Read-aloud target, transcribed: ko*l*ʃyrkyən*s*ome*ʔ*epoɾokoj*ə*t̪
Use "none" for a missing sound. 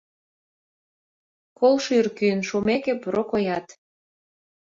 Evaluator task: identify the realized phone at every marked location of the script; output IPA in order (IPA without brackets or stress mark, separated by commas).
l, ʃ, k, ɑ